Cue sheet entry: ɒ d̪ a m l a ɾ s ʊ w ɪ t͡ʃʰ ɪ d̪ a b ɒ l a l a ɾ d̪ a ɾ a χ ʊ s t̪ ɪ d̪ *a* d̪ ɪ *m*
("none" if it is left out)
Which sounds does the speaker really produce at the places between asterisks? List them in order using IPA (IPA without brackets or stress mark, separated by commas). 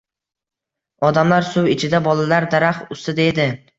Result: e, none